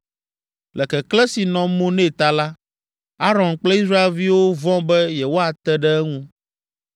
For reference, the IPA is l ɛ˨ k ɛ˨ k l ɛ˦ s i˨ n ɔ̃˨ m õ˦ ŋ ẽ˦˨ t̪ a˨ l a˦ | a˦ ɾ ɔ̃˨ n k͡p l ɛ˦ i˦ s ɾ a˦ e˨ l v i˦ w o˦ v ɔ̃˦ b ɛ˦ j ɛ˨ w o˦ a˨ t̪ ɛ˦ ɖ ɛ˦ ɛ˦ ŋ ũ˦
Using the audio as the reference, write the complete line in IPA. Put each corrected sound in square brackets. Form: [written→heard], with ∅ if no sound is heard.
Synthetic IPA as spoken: l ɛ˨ k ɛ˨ k l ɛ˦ s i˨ n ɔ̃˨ m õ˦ [ŋ→n] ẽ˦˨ t̪ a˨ l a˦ | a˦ ɾ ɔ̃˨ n k͡p l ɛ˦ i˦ s ɾ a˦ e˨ l v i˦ w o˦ v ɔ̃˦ b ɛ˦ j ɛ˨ w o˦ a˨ t̪ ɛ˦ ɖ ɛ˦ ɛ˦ ŋ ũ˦